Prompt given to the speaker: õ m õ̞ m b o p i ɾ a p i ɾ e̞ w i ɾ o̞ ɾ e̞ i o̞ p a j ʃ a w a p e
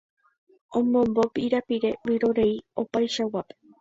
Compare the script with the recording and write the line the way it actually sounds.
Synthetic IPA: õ m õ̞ m b o p i ɾ a p i ɾ e̞ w i ɾ o̞ ɾ e̞ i o̞ p a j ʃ a w a p e